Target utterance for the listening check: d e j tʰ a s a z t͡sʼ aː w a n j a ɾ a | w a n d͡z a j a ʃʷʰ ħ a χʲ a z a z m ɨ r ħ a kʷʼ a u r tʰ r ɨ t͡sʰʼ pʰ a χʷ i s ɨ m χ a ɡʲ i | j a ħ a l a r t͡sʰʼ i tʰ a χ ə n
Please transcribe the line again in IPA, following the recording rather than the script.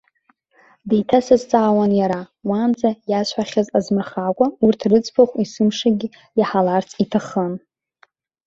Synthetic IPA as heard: d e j tʰ a s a z t͡sʼ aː w a n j a ɾ a | w a n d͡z a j a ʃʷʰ ħ a χʲ a z a z m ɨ r χ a kʷʼ a u r tʰ r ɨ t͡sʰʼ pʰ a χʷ i s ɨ m ʂ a ɡʲ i | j a ħ a l a r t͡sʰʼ i tʰ a χ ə n